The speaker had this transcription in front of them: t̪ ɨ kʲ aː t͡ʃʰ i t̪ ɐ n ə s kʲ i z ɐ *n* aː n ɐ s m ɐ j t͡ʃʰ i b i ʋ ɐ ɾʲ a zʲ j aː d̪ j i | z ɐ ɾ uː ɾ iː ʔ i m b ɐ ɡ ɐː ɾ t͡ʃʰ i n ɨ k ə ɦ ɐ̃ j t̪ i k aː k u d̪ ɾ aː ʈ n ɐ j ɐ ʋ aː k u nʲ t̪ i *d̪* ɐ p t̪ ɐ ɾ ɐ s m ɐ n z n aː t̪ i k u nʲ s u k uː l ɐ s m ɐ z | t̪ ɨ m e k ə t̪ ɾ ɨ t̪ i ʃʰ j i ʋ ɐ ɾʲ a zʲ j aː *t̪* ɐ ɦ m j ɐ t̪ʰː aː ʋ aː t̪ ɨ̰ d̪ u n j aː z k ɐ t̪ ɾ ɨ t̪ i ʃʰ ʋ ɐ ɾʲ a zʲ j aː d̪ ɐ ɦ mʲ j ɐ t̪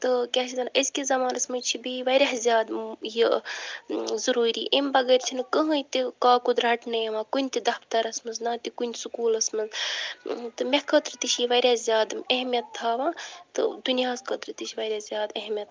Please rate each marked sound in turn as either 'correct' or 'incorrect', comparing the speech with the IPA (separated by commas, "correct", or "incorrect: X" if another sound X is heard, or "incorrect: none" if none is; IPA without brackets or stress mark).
incorrect: m, correct, incorrect: d̪